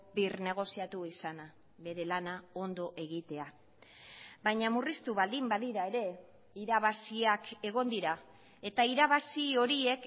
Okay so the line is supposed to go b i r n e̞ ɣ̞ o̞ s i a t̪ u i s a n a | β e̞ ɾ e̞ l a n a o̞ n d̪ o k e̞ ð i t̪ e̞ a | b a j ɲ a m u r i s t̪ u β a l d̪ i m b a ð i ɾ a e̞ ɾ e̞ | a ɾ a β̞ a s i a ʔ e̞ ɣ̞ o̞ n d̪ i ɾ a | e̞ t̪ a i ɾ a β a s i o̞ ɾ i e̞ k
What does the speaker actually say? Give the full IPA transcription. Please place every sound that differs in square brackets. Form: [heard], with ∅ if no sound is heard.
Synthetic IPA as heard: b i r n e̞ ɣ̞ o̞ s i a t̪ u i s a n a | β e̞ ɾ e̞ l a n a o̞ n d̪ o [ʔ] e̞ [ɣ] i t̪ e̞ a | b a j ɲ a m u r i s t̪ u β a l d̪ i m b a ð i ɾ a e̞ ɾ e̞ | [i] ɾ a β̞ a s i a [k] e̞ ɣ̞ o̞ n d̪ i ɾ a | e̞ t̪ a i ɾ a β a s i o̞ ɾ i e̞ k